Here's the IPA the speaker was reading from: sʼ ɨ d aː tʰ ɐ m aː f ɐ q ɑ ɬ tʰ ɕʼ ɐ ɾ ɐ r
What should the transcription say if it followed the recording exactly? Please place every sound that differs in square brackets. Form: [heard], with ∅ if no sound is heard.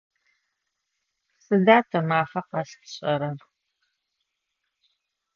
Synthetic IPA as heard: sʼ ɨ d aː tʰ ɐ m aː f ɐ q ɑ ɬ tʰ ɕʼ ɐ ɾ ɐ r